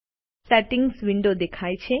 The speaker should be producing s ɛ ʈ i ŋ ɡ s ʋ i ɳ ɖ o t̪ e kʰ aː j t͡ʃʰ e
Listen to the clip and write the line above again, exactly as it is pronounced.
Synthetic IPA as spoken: s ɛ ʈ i ŋ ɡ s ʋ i ɳ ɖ o d̪ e kʰ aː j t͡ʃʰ e